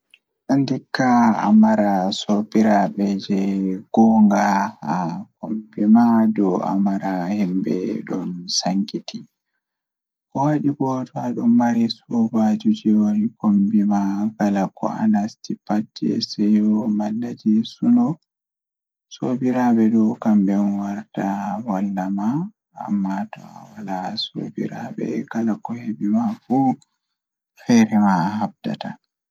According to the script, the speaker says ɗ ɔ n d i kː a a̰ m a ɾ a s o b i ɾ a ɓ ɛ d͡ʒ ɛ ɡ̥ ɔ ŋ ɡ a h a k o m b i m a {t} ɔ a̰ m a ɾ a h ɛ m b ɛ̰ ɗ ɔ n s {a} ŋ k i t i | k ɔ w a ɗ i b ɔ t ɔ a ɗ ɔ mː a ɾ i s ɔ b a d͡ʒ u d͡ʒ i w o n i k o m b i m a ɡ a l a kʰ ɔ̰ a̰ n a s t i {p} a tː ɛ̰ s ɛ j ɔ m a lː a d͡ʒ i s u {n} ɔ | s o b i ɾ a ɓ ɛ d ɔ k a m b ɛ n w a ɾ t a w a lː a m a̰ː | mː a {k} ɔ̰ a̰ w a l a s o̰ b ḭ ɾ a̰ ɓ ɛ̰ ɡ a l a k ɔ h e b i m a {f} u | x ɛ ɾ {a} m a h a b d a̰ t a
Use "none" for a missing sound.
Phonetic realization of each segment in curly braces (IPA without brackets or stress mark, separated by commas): d, a, p, n, t, f, ɛ